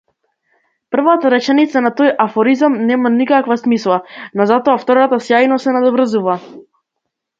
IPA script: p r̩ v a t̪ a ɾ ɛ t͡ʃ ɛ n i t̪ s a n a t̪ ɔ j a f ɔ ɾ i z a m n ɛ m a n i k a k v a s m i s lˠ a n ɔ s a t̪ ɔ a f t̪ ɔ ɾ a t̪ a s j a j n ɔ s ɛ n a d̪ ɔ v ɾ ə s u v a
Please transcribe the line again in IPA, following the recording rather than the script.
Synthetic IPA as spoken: p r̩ v a t̪ a ɾ ɛ t͡ʃ ɛ n i t̪ s a n a t̪ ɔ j a f ɔ ɾ i z a m n ɛ m a n i k a k v a s m i s lˠ a n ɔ z a t̪ ɔ a f t̪ ɔ ɾ a t̪ a s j a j n ɔ s ɛ n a d̪ ɔ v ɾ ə z u v a